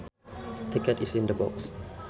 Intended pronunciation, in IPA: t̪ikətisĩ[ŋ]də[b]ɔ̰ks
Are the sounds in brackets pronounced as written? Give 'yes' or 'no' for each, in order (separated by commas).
no, yes